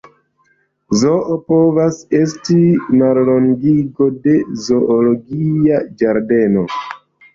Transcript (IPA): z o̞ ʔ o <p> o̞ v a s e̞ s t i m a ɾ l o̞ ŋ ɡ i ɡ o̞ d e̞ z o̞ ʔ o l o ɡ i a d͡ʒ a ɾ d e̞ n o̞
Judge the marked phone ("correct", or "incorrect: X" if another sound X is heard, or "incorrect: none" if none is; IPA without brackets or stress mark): correct